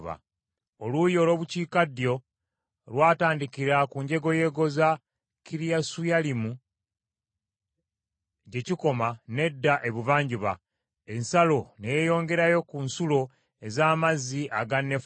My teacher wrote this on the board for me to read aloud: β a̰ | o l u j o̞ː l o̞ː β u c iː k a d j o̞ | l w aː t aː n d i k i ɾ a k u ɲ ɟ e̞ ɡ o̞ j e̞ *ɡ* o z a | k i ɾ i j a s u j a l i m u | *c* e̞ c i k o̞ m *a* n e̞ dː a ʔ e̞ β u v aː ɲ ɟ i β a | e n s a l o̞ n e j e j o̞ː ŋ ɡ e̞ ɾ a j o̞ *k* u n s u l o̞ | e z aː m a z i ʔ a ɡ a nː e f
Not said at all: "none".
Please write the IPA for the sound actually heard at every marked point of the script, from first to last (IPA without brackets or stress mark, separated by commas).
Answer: ɡ, ɟ, a, k